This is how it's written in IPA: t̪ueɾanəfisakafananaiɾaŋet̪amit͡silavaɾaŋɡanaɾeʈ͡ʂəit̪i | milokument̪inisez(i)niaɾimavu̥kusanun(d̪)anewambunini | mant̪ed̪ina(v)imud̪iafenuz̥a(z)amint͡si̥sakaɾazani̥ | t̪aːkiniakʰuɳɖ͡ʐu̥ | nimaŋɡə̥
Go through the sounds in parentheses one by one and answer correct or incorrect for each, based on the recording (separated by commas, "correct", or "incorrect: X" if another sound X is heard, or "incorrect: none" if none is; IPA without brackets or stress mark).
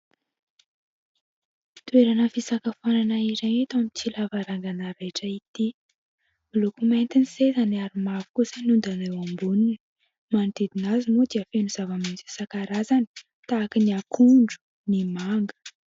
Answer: incorrect: a, correct, incorrect: z, incorrect: v